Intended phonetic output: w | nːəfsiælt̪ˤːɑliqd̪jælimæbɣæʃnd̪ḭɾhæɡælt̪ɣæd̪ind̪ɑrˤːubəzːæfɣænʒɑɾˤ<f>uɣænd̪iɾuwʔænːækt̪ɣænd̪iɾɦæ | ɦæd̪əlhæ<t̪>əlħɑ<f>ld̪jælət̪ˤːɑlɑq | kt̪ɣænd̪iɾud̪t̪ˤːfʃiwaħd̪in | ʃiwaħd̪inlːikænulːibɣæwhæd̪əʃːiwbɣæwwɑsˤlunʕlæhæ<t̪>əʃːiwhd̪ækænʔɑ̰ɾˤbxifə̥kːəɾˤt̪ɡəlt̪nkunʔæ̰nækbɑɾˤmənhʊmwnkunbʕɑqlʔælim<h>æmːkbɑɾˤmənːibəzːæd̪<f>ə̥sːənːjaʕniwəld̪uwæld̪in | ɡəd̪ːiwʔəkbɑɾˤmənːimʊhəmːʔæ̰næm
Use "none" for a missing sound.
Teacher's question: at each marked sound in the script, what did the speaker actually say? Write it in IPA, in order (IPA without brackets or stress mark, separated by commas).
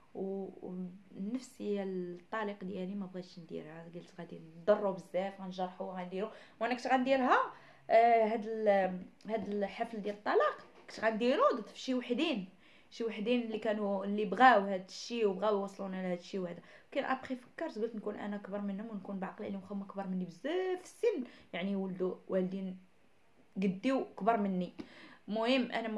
ħ, d̪, f, d̪, x, f